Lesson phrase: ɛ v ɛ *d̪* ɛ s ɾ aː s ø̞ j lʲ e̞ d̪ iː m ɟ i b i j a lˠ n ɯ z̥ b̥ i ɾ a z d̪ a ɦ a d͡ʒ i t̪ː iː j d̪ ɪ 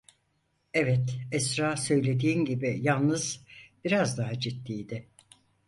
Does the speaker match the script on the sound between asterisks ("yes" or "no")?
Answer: no